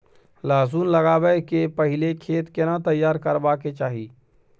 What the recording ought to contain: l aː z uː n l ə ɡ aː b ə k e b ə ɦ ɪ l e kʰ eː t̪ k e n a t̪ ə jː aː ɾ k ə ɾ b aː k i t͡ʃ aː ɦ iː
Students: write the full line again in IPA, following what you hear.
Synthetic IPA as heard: l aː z uː n l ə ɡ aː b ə k e p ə ɦ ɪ l e kʰ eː t̪ k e n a t̪ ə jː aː ɾ k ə ɾ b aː k e t͡ʃ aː ɦ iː